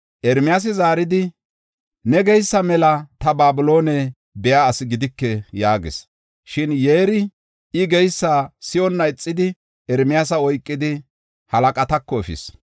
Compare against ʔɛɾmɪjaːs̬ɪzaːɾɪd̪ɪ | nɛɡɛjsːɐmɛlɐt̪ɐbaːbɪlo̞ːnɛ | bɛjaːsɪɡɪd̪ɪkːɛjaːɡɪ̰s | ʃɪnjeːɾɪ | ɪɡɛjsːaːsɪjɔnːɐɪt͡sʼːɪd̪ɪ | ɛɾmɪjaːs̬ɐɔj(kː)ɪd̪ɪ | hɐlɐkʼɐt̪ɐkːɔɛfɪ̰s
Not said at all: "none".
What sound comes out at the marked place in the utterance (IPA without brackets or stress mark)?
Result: kʼː